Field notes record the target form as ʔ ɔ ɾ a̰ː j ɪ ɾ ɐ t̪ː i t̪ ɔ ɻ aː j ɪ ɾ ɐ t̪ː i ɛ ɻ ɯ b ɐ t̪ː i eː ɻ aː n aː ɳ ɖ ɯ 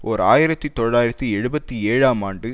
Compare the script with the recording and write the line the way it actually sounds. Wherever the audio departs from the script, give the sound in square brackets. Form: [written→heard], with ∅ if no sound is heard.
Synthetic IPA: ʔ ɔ ɾ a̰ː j ɪ ɾ ɐ t̪ː i t̪ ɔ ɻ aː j ɪ ɾ ɐ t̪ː i ɛ ɻ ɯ b ɐ t̪ː i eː ɻ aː [n→m] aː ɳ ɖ ɯ